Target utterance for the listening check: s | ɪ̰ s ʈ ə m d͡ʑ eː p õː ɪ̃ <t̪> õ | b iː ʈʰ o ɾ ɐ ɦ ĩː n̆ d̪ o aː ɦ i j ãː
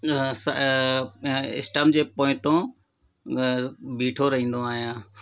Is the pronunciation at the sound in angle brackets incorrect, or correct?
correct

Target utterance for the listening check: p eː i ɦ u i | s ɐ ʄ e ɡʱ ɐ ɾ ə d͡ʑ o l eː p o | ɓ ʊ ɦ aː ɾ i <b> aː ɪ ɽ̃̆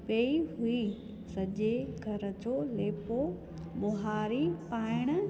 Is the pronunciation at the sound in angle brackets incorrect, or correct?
incorrect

